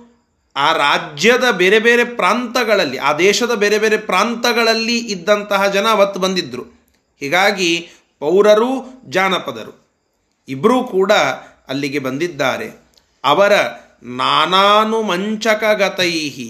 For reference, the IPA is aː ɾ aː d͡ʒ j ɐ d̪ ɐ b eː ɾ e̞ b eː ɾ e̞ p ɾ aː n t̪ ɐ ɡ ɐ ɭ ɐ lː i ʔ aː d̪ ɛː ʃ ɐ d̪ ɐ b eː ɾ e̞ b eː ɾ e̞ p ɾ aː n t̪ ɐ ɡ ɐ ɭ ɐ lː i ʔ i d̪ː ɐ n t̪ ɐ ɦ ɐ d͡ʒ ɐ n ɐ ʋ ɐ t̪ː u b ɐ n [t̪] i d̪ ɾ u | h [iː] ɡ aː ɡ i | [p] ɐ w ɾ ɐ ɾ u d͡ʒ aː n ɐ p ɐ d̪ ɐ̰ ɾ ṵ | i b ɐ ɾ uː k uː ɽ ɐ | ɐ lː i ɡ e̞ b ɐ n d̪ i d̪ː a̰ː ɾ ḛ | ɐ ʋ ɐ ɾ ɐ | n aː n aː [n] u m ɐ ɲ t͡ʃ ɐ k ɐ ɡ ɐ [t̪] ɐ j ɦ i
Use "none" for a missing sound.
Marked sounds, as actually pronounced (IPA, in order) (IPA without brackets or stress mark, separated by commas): d̪, iː, p, n, t̪